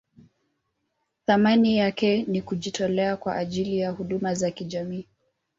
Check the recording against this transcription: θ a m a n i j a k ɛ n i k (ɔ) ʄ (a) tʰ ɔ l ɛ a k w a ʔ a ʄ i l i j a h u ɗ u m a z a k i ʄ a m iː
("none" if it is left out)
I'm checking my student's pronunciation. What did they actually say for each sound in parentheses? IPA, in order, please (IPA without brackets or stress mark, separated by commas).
u, i